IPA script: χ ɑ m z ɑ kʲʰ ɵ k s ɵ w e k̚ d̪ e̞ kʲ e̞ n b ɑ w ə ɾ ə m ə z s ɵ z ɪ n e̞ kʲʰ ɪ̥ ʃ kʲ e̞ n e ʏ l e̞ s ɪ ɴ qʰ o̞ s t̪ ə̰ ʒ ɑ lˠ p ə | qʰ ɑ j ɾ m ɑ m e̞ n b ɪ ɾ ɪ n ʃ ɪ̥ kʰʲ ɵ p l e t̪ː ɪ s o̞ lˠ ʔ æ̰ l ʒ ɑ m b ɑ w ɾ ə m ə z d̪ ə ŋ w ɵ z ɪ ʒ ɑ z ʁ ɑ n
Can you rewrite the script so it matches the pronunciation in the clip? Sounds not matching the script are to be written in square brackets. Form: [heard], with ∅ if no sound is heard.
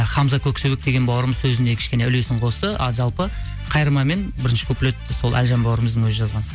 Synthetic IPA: χ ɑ m z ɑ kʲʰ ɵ k s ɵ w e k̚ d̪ e̞ [ɡʲ] e̞ n b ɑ w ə ɾ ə m ə z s ɵ z ɪ n e̞ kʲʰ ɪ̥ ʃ kʲ e̞ n e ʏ l e̞ s ɪ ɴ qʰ o̞ s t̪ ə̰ ʒ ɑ lˠ p ə | qʰ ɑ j ɾ m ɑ m e̞ n b ɪ ɾ ɪ n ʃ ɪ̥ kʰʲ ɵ p l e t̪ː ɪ s o̞ lˠ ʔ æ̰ l ʒ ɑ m b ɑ w ɾ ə m ə z d̪ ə ŋ w ɵ z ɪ ʒ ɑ z ʁ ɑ n